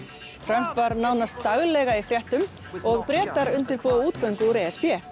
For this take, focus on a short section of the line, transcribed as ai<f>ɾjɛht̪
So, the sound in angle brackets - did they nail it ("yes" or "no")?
yes